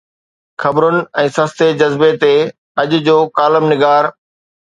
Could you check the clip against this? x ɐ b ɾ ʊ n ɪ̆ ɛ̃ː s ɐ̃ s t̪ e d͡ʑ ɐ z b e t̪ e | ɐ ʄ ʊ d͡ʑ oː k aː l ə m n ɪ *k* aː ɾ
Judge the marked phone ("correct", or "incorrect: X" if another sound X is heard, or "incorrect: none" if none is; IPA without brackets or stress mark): incorrect: ɡ